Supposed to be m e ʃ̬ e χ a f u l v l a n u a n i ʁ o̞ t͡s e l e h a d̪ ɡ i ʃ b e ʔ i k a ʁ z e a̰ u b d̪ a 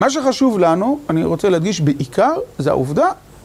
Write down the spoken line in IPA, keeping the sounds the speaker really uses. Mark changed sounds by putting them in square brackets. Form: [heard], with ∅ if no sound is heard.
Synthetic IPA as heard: m [a] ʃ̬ e χ a [ʃ] u [∅] v l a n u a n i ʁ o̞ t͡s e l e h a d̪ ɡ i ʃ b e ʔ i k a ʁ z e a̰ u [v] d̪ a